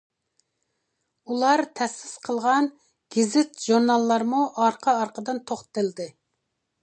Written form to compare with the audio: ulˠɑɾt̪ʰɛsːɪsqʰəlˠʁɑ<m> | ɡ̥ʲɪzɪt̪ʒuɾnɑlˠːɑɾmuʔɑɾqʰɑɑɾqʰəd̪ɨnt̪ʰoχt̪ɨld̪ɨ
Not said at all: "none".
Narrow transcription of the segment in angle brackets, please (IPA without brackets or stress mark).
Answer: n